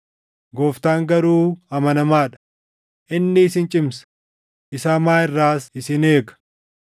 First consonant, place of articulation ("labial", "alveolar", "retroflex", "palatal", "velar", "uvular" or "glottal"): velar